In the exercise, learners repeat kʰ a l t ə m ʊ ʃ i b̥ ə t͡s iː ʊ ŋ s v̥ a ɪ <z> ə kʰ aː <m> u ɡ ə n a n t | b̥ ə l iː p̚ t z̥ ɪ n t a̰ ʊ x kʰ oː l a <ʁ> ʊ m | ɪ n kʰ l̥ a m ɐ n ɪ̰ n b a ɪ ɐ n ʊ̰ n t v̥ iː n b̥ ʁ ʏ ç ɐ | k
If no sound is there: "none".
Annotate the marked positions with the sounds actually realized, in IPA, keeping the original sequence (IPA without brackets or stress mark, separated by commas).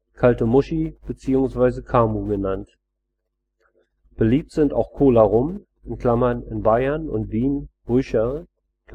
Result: z, m, ʁ